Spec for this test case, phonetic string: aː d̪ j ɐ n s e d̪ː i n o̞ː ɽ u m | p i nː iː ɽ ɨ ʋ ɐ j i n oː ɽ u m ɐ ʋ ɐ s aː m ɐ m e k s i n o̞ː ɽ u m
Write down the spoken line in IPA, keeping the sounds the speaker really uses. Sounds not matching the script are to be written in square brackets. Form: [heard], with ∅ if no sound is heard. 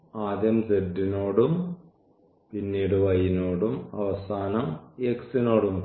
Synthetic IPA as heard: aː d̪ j ɐ [m] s e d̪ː i n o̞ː ɽ u m | p i nː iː ɽ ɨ ʋ ɐ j i n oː ɽ u m ɐ ʋ ɐ s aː [n] ɐ m e k s i n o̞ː ɽ u m